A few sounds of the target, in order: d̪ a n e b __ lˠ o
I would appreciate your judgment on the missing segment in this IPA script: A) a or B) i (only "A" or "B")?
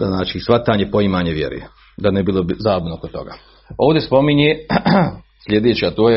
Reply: B